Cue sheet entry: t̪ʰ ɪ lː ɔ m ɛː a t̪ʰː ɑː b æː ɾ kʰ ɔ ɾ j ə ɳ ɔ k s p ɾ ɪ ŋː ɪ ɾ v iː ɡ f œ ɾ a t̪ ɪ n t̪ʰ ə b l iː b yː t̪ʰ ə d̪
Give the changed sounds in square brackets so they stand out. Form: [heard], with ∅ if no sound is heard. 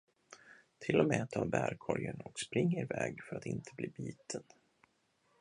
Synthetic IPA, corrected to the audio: t̪ʰ ɪ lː ɔ m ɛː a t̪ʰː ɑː b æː ɾ kʰ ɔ ɾ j ə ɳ ɔ k s p ɾ ɪ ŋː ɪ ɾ v [ɛː] ɡ f œ ɾ a t̪ ɪ n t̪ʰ ə b l iː b [iː] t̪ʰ ə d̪